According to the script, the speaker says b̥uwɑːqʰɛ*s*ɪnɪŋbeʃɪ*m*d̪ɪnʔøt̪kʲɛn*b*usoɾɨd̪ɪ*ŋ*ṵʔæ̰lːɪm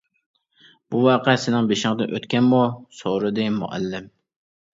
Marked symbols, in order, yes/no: yes, no, no, no

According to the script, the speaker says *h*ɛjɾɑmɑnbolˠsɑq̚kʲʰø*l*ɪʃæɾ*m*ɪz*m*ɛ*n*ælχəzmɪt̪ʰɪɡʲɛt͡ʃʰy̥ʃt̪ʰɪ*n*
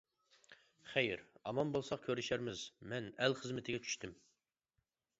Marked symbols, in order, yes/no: no, no, yes, yes, yes, no

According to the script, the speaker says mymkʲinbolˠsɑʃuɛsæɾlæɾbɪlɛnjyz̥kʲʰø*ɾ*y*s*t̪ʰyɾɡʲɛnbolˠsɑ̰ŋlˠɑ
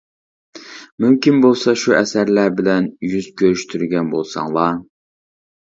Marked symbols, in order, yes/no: yes, no

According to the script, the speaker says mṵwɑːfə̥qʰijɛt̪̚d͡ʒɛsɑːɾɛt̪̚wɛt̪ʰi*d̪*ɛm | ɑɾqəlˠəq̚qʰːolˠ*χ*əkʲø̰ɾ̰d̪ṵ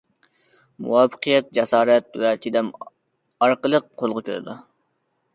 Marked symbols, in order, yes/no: yes, no

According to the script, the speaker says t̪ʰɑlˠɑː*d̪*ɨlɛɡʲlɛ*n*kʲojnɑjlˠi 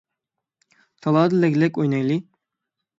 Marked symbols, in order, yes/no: yes, no

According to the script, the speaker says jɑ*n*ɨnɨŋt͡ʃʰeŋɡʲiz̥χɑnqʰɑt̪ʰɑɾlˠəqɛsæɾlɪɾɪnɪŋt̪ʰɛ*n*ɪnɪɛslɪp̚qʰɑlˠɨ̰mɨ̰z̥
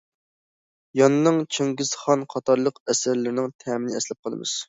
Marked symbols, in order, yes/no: yes, no

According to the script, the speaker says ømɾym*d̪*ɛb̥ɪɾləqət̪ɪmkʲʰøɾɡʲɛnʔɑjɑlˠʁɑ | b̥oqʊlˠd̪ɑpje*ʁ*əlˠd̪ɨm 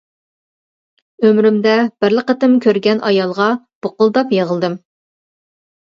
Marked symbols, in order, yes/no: yes, yes

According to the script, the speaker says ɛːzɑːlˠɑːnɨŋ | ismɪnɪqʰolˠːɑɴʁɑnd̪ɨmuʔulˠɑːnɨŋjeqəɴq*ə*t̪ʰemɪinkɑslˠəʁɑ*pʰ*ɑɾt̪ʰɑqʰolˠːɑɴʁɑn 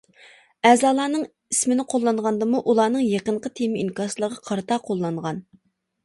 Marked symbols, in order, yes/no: yes, no

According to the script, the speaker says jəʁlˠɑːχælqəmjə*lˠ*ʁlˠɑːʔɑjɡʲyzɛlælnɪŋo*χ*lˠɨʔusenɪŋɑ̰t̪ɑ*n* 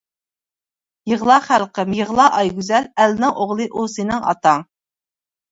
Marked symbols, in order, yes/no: no, no, no

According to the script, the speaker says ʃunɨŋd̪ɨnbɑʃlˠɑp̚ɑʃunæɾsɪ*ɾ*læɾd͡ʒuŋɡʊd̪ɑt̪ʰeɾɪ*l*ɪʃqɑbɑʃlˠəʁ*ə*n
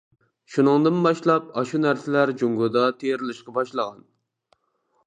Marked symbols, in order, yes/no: no, yes, no

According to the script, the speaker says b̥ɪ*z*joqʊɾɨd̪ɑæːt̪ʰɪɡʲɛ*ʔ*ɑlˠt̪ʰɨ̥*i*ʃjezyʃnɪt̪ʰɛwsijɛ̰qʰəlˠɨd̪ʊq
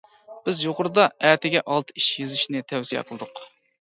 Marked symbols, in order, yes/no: yes, yes, yes

